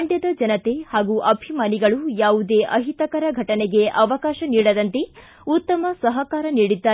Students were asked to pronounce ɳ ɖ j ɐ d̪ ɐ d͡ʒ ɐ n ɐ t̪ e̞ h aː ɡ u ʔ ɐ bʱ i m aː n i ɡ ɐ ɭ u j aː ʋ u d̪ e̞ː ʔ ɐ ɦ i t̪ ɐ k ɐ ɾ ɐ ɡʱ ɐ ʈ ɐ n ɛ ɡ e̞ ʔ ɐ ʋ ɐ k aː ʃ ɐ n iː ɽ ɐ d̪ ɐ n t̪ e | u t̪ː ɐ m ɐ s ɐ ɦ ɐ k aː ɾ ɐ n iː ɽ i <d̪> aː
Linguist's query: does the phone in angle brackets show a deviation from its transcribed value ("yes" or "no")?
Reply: yes